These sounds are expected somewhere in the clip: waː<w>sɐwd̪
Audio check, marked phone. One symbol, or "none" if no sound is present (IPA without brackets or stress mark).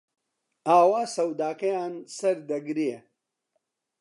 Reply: none